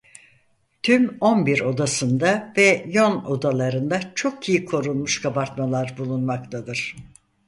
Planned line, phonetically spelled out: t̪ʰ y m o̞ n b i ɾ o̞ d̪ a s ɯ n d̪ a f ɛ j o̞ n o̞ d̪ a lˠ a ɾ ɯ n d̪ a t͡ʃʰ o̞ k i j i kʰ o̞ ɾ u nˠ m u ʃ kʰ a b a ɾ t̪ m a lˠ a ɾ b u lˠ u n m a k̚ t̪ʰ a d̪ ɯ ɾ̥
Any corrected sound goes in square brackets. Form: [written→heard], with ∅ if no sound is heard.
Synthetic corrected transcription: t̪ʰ y m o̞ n b i ɾ o̞ d̪ a s ɯ n d̪ a [f→v] ɛ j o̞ n o̞ d̪ a lˠ a ɾ ɯ n d̪ a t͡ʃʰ o̞ k i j i kʰ o̞ ɾ u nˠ m u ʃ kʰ a b a ɾ t̪ m a lˠ a ɾ b u lˠ u n m a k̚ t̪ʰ a d̪ ɯ ɾ̥